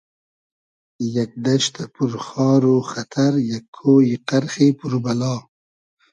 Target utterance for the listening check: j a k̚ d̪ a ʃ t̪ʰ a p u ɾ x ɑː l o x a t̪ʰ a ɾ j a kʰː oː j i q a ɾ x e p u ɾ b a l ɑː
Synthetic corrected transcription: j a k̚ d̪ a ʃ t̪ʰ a p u ɾ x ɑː ɾ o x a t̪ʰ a ɾ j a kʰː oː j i q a ɾ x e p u ɾ b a l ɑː